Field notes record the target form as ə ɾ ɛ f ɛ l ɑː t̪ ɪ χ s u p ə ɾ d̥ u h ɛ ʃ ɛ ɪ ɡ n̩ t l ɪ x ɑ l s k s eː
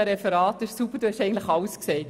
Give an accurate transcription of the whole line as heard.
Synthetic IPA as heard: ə ɾ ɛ f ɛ ɾ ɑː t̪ ɪ ʃ s u p ə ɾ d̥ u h ɛ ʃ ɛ ɪ ɡ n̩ t l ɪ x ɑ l s k s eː